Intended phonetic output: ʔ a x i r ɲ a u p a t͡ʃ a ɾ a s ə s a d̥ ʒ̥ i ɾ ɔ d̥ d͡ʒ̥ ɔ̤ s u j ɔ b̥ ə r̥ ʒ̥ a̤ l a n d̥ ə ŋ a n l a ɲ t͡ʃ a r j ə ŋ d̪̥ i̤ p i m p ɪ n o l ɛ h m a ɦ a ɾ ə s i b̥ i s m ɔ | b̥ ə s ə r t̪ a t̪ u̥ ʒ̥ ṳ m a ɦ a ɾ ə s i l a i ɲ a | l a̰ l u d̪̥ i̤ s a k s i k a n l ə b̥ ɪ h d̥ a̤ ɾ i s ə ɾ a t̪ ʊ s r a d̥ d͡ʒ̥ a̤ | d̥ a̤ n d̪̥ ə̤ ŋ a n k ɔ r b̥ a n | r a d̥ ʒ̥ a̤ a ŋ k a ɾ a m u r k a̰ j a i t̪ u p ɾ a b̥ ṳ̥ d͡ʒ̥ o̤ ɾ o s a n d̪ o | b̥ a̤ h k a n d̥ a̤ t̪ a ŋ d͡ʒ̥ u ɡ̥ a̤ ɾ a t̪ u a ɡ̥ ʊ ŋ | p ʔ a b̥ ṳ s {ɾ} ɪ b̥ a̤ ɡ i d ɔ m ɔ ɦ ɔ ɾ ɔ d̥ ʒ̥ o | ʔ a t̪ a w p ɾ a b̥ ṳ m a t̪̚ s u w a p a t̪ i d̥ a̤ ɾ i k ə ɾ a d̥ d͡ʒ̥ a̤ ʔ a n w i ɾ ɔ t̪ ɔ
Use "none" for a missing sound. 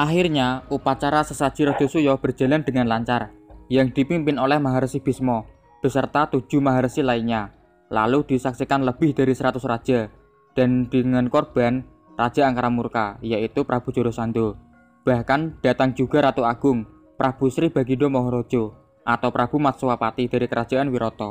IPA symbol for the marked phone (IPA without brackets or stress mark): ɾ